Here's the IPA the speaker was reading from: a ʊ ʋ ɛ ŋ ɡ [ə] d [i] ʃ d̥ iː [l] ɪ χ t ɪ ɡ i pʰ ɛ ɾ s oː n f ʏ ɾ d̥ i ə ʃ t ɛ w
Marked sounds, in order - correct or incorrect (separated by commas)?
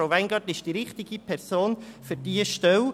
incorrect, incorrect, incorrect